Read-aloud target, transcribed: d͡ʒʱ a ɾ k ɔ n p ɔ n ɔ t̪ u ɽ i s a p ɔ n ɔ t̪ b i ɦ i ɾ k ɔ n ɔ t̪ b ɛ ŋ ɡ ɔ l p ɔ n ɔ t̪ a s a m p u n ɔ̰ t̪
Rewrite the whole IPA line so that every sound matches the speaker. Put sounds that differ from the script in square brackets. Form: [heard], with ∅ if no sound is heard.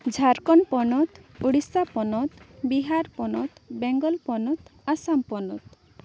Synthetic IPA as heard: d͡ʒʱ a ɾ k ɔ n p ɔ n ɔ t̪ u ɽ i s a p ɔ n ɔ t̪ b i ɦ [a] ɾ [p] ɔ n ɔ t̪ b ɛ ŋ ɡ ɔ l p ɔ n ɔ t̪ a s a m p [ɔ] n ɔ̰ t̪